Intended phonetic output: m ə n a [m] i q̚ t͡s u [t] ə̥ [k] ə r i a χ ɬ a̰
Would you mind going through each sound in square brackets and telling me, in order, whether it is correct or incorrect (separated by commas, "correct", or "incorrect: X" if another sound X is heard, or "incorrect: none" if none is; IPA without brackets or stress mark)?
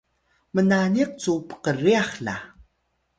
incorrect: n, incorrect: p, incorrect: q